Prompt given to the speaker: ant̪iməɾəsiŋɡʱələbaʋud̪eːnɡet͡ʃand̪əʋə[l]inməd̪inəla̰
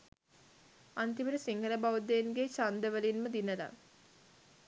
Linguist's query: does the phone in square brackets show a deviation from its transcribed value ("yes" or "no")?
no